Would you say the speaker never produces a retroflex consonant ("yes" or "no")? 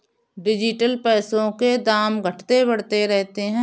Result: no